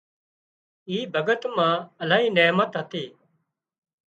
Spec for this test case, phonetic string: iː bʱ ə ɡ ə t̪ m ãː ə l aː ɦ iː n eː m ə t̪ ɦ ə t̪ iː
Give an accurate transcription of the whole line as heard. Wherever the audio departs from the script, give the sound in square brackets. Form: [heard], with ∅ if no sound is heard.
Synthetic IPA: iː bʱ ə ɡ ə t̪ m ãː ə l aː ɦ iː n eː m ə t̪ ɦ ə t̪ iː